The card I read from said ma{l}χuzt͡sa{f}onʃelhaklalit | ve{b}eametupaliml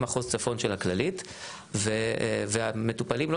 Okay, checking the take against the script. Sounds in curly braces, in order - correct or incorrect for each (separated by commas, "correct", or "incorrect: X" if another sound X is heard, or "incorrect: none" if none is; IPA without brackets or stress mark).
incorrect: none, correct, incorrect: v